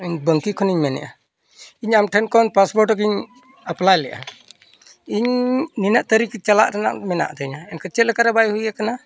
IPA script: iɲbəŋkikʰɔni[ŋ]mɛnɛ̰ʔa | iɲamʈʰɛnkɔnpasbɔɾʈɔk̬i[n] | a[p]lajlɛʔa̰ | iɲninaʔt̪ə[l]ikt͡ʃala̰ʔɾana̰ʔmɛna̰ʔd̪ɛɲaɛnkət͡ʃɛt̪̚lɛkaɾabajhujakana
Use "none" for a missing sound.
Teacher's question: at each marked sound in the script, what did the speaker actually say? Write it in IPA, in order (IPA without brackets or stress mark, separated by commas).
ɲ, ɲ, p, ɾ